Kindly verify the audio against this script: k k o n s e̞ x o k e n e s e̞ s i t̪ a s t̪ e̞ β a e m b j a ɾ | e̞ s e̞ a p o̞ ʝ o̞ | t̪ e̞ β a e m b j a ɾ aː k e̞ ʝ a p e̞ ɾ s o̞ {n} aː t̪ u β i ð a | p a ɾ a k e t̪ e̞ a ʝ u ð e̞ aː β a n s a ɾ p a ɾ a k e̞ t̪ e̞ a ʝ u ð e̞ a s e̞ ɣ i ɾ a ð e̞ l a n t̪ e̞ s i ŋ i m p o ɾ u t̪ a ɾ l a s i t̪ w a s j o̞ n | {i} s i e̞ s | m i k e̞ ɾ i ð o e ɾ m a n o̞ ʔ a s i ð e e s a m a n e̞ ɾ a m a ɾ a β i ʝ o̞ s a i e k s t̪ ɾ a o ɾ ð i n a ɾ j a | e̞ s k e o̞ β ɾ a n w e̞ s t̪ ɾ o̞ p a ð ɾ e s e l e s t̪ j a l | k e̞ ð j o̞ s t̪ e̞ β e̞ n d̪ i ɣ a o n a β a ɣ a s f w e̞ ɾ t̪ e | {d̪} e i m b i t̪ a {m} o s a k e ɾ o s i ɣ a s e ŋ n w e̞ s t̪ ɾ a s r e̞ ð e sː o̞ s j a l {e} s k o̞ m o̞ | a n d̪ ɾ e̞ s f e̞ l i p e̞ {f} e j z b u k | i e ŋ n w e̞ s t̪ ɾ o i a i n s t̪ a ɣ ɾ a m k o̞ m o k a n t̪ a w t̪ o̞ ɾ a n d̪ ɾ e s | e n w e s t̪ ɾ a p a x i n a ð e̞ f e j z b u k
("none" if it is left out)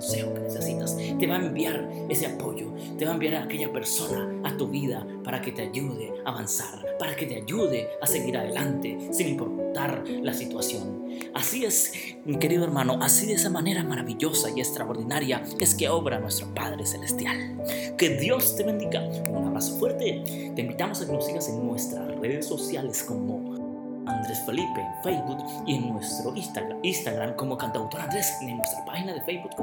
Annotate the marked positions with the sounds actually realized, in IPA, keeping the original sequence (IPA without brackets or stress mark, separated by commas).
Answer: n, a, t̪, m, e, f